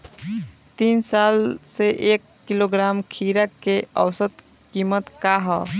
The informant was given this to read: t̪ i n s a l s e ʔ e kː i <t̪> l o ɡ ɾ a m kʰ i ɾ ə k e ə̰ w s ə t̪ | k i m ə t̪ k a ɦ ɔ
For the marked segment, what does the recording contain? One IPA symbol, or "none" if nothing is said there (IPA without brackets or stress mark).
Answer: none